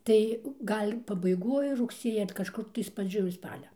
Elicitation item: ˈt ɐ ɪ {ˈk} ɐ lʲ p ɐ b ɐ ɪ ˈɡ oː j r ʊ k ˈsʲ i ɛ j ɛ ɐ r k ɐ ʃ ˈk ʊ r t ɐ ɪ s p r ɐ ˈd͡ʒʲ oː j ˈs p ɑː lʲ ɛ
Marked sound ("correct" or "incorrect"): incorrect